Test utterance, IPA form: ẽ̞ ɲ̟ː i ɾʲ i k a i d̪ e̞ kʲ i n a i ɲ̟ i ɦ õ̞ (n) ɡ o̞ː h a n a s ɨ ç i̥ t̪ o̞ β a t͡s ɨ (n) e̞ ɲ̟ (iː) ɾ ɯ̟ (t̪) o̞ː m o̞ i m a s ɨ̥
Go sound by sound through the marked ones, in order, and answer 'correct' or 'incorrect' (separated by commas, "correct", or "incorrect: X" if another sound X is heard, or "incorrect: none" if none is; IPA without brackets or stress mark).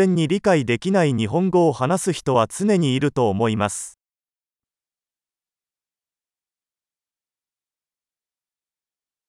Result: incorrect: ŋ, correct, correct, correct